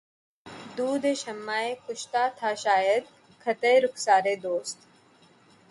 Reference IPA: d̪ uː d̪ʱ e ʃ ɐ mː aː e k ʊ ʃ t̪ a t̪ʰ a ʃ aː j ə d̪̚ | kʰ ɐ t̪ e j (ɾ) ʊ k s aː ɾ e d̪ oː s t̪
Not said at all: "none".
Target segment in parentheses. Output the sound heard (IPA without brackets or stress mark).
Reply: ɾ